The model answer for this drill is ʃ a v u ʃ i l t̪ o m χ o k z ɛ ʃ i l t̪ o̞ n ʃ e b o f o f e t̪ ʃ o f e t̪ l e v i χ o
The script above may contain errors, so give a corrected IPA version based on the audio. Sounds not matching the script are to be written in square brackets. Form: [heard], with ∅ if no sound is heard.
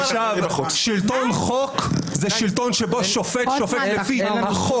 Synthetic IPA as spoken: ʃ a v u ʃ i l t̪ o [n] χ o k z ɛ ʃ i l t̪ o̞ n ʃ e b o [ʃ] o f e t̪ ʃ o f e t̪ l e [f] i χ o